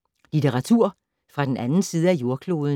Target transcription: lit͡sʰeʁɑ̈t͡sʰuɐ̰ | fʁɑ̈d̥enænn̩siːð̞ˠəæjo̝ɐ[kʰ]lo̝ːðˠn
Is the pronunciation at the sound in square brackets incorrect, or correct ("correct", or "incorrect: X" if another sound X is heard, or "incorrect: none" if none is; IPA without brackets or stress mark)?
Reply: correct